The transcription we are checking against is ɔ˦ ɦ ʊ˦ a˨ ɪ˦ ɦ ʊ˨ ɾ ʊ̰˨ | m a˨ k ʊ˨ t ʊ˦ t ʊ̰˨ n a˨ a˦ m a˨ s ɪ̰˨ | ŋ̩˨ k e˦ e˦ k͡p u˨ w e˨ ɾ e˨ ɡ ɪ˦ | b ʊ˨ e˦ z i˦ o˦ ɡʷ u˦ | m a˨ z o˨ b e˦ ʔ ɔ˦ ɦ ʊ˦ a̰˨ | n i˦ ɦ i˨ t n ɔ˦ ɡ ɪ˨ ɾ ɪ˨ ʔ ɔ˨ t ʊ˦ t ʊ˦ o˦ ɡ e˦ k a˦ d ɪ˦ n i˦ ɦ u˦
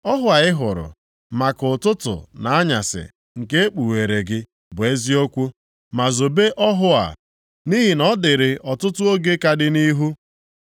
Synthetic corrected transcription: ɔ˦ ɦ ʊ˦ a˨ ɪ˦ ɦ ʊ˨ ɾ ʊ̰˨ | m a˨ k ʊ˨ t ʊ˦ t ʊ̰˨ n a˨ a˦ ɲ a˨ s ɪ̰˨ | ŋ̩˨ k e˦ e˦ k͡p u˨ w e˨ ɾ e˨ ɡ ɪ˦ | b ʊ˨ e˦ z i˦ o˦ kʷ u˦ | m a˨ z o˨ b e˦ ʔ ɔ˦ ɦ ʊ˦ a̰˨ | n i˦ ɦ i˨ n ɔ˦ d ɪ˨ ɾ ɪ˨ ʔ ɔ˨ t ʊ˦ t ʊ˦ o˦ ɡ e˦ k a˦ d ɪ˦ n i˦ ɦ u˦